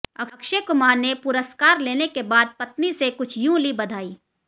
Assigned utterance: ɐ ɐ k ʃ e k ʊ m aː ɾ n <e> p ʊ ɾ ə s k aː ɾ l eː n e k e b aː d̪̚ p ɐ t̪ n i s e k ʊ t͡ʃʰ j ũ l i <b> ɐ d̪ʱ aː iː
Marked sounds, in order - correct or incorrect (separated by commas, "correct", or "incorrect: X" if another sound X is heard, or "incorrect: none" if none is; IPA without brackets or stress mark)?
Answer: correct, correct